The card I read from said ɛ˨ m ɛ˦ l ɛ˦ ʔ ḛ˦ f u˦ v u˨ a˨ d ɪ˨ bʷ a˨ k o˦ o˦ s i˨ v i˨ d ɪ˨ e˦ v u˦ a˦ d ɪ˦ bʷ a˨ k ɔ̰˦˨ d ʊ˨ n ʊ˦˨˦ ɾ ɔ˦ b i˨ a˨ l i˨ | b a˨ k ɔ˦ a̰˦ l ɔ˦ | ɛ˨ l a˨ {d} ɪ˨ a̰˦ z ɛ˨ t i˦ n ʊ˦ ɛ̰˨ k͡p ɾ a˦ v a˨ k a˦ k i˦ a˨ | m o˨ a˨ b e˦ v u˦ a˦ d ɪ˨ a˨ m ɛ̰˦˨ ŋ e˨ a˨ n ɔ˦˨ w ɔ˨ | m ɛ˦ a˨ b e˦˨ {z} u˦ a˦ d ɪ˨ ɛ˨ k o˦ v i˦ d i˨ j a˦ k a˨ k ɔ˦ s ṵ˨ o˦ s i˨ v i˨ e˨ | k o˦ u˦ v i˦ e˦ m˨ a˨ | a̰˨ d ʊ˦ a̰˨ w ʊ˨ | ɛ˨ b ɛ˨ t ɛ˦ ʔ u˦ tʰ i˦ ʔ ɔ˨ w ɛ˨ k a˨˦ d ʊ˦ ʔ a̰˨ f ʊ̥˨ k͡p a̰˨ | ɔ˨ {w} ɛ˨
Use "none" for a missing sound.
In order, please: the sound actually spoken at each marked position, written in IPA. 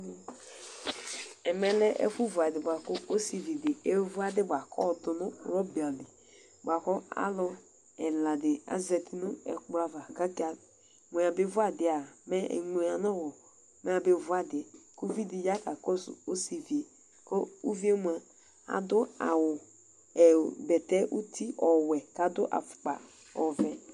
d, v, v

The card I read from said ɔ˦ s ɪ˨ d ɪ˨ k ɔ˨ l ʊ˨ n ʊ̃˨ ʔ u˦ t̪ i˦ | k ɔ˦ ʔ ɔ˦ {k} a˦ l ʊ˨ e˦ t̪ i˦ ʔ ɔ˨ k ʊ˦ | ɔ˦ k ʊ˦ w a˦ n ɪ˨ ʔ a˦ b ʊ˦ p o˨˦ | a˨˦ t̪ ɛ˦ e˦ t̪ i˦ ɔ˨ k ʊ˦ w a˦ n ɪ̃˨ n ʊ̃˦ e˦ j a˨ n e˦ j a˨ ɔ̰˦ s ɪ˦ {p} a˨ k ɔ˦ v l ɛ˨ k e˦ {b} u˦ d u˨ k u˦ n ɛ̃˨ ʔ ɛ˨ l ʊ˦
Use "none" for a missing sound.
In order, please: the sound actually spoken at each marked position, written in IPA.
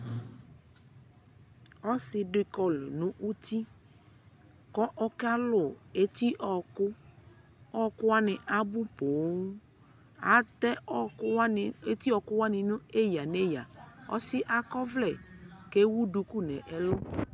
k, ʔ, w

